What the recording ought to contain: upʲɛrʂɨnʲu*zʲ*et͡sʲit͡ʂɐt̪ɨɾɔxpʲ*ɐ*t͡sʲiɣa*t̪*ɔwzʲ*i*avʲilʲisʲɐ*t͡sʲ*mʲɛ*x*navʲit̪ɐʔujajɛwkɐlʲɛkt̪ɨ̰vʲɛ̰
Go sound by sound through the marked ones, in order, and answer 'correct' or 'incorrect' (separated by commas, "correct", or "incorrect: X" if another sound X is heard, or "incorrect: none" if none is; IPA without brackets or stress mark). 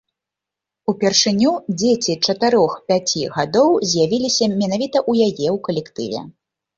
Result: incorrect: d͡zʲ, incorrect: a, incorrect: d̪, incorrect: j, incorrect: none, incorrect: none